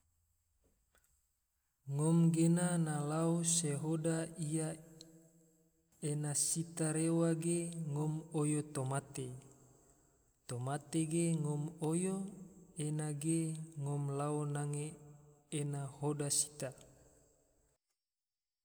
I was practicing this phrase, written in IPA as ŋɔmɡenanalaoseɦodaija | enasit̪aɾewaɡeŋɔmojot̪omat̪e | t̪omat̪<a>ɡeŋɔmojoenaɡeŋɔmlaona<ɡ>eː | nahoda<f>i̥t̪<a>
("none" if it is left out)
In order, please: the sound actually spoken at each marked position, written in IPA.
e, ŋ, s, a

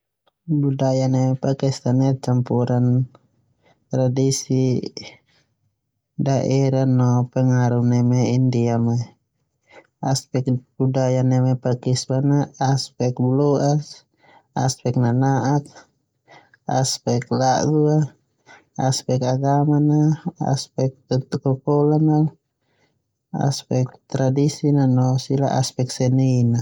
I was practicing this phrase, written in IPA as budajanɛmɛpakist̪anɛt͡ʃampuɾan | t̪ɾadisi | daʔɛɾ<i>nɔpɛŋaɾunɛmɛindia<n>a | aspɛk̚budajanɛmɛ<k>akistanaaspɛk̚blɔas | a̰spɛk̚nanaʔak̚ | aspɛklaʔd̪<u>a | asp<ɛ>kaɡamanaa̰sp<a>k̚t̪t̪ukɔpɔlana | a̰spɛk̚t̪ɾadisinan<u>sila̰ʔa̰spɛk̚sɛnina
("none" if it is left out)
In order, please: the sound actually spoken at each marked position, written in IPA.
a, m, p, u, ɛ, ɛ, ɔ

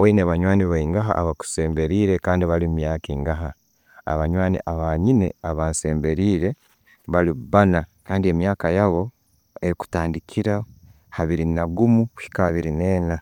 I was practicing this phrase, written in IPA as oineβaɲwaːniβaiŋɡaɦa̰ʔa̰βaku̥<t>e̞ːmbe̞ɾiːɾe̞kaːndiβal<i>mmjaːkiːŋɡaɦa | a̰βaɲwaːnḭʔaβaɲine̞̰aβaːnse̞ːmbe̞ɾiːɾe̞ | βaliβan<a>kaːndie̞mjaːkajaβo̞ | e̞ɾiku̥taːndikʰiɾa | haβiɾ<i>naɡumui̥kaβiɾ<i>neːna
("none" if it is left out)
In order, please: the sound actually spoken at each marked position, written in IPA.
s, i, a, i, i

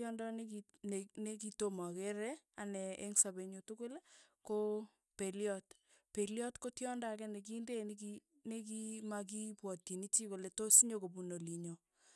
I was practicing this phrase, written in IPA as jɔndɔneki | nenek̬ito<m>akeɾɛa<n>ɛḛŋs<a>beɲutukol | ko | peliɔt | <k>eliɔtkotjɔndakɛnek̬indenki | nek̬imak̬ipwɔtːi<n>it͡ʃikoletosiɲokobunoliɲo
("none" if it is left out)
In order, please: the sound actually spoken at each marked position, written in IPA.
m, n, a, p, n

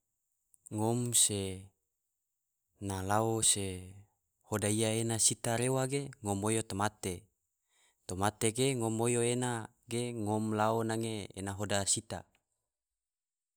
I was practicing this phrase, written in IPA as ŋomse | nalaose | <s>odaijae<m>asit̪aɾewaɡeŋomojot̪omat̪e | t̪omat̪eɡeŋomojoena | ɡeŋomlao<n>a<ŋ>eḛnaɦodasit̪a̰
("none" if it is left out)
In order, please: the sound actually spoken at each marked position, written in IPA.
h, n, n, ŋ

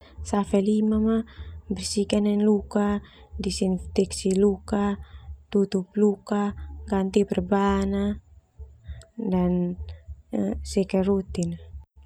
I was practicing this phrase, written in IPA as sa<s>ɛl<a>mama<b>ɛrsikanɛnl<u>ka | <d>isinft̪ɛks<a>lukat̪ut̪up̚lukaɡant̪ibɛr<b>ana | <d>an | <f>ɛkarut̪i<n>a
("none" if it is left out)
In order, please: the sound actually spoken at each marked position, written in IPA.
f, i, b, u, d, i, b, d, s, n

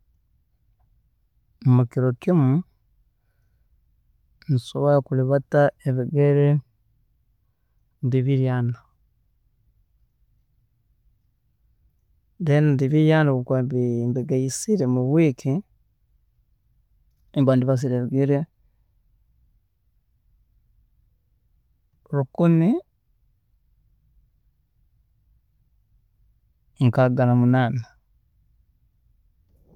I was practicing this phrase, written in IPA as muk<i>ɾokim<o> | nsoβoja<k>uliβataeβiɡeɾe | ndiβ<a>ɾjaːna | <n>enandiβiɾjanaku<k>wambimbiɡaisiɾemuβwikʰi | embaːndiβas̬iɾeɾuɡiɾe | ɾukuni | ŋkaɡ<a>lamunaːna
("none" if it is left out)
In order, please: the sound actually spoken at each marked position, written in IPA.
i, u, k, i, d, k, a

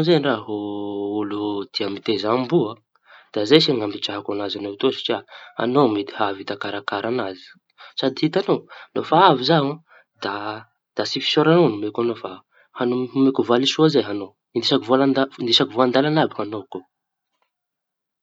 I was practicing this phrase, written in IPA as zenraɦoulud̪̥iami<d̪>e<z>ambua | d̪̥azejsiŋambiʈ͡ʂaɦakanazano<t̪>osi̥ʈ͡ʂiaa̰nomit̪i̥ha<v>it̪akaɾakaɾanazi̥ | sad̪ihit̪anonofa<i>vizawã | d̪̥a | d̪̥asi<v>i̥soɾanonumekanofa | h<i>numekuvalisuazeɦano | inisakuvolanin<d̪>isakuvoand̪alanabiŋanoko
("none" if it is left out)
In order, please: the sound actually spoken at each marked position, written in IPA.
t̪, z, t̪, v, a, f, a, d̪

